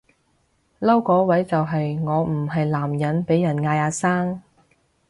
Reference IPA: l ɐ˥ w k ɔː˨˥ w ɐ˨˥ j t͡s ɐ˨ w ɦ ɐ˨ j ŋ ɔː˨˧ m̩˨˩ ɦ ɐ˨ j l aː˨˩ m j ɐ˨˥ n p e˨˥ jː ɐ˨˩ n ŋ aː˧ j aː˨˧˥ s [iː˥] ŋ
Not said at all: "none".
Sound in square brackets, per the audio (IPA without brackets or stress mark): aː˥